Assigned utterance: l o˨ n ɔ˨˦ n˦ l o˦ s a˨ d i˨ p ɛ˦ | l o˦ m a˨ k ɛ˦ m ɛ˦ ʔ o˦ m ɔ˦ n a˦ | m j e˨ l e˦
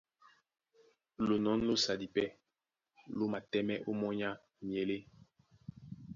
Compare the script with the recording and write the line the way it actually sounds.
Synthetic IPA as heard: l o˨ n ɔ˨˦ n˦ l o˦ s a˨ d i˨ p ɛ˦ | l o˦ m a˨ t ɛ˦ m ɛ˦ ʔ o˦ m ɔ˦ ɲ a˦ | m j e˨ l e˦